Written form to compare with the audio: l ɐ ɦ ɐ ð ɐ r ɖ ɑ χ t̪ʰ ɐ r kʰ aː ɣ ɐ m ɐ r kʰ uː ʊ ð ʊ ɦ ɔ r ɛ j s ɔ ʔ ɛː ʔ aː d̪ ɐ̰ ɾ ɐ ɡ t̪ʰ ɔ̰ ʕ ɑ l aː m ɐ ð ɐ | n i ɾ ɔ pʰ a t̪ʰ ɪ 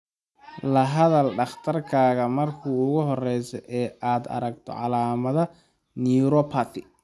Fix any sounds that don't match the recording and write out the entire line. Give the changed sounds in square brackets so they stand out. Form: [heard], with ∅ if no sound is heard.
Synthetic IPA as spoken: l ɐ ɦ ɐ ð ɐ [l] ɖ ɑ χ t̪ʰ ɐ r kʰ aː ɣ ɐ m ɐ r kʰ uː ʊ [ɣ] ʊ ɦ ɔ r ɛ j s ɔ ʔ ɛː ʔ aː d̪ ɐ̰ ɾ ɐ ɡ t̪ʰ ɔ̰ ʕ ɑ l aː m ɐ ð ɐ | n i ɾ ɔ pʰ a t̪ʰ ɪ